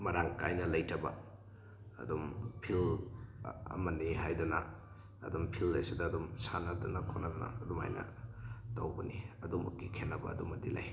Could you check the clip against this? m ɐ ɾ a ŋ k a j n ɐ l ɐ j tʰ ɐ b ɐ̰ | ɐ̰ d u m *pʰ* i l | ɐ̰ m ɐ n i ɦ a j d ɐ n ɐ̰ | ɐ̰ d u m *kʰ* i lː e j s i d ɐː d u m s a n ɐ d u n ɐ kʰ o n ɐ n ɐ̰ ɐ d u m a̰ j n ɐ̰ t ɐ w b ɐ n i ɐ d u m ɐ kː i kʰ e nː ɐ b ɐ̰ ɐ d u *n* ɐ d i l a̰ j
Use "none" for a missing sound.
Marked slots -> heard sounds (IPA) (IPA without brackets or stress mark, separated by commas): pʰ, pʰ, m